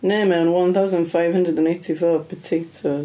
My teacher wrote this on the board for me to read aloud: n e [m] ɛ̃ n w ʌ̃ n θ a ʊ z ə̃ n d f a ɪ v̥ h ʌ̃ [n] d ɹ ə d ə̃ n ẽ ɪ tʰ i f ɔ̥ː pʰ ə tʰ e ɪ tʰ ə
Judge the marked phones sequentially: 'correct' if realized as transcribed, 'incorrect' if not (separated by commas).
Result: correct, correct